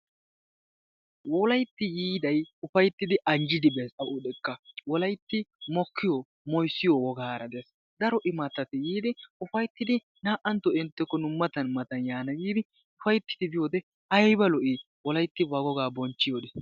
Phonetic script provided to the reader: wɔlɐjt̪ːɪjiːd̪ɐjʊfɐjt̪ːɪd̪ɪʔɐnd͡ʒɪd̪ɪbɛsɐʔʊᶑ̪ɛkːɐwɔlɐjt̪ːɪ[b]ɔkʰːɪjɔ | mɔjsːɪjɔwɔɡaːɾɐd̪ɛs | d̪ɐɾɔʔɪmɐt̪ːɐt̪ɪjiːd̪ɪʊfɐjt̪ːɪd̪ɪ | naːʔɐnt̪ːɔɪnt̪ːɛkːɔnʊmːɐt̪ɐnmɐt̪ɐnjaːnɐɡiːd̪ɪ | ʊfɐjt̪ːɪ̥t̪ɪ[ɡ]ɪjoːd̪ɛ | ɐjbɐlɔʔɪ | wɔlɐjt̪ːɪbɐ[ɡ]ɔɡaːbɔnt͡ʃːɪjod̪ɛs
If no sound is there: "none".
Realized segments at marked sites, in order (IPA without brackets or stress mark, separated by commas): m, b, ɡ